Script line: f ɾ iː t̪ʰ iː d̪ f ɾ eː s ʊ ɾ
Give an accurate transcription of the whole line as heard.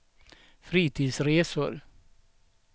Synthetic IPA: f ɾ iː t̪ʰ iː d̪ s ɾ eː s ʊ ɾ